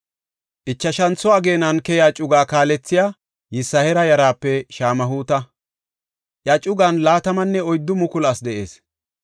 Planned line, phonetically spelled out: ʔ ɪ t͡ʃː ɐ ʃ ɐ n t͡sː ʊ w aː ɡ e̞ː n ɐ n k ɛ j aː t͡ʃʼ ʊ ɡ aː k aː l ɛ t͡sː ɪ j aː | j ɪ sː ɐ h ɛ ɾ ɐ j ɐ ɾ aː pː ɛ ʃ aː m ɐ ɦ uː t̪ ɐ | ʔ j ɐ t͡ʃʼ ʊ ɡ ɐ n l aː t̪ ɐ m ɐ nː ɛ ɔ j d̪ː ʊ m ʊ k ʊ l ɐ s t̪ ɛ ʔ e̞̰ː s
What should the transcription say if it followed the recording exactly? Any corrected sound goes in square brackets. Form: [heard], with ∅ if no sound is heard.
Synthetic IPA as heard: ʔ ɪ t͡ʃː ɐ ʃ ɐ n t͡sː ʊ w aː ɡ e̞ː n ɐ n k ɛ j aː t͡ʃʼ ʊ ɡ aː k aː l ɛ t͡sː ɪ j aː | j ɪ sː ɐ h ɛ ɾ ɐ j ɐ ɾ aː pː ɛ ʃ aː m ɐ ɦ uː t̪ ɐ | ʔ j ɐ t͡ʃʼ ʊ ɡ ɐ n l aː t̪ ɐ m ɐ nː ɛ ɔ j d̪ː ʊ m ʊ k ʊ l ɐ s [d̪] ɛ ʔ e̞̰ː s